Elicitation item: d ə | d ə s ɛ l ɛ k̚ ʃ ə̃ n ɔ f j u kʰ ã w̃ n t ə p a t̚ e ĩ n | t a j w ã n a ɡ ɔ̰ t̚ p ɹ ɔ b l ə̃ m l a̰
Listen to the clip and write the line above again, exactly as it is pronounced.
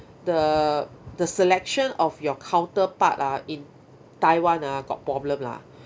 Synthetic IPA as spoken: d ə | d ə s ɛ l ɛ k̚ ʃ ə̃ n ɔ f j ɔ kʰ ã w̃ n t ə p a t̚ a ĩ n | t a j w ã n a ɡ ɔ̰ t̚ p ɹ ɔ b l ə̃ m l a̰